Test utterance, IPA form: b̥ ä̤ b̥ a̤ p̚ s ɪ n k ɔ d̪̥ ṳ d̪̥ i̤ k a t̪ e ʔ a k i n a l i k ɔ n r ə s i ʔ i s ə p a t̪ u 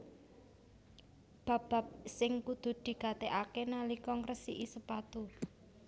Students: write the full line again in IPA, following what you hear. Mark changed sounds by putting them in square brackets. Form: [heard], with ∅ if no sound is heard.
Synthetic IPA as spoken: b̥ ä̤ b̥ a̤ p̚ s ɪ [ŋ] k [u] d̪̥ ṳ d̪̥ i̤ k a t̪ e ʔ a k [e] n a l i k ɔ [ŋ] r ə s i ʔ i s ə p a t̪ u